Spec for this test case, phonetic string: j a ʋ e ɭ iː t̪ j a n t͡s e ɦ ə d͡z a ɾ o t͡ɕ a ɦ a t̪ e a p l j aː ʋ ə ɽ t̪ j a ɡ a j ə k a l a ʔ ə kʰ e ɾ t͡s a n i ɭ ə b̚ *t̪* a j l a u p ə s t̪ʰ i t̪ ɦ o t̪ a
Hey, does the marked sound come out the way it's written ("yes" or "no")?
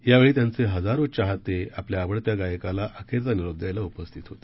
no